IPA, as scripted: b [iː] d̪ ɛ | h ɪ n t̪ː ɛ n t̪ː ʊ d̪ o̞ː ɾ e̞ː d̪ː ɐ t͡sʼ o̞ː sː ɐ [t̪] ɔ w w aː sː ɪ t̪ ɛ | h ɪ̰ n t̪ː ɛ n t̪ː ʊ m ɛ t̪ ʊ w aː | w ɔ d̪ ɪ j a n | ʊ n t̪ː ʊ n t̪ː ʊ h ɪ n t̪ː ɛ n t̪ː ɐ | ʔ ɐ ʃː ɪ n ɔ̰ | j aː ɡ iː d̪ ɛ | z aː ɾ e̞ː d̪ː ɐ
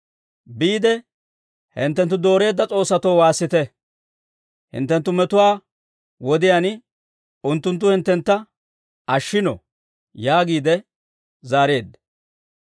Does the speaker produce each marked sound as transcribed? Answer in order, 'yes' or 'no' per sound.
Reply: yes, yes

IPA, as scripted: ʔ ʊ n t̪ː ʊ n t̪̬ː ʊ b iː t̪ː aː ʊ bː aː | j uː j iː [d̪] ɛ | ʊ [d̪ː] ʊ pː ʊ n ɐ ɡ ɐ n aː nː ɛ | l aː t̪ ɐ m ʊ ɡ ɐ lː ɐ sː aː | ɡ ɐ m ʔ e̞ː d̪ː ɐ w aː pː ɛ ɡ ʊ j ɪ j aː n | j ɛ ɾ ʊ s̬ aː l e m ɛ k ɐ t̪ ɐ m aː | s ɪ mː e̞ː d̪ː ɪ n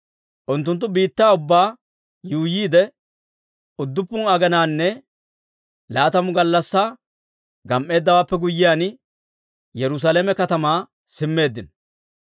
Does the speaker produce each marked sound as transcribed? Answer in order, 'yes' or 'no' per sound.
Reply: yes, yes

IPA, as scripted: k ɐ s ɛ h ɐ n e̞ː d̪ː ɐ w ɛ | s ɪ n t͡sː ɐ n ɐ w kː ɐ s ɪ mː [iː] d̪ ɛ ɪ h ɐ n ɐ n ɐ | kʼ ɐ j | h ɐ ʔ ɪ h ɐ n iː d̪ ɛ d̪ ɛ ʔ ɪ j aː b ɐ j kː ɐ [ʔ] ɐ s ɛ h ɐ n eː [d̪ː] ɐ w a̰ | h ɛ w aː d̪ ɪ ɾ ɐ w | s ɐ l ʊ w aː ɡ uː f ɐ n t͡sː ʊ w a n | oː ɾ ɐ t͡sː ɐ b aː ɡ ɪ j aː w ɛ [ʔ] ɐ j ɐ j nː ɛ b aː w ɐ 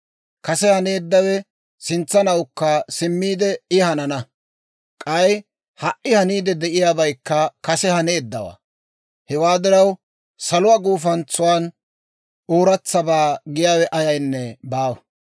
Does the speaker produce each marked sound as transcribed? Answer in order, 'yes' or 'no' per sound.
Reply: yes, no, yes, yes

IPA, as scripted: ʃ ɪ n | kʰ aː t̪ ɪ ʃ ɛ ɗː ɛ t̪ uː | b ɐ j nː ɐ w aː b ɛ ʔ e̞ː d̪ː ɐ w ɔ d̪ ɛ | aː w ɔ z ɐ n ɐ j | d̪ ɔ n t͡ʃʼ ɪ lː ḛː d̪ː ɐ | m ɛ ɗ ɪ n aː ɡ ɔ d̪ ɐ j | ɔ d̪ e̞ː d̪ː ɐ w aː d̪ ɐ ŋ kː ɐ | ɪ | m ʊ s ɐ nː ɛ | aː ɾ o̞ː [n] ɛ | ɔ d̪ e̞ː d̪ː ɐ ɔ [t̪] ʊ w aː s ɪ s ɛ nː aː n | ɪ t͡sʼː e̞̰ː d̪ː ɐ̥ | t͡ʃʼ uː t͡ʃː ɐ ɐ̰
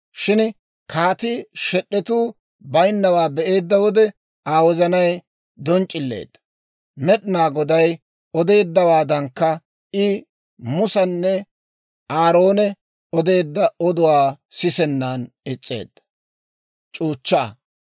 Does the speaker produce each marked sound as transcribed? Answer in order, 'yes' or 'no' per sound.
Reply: yes, no

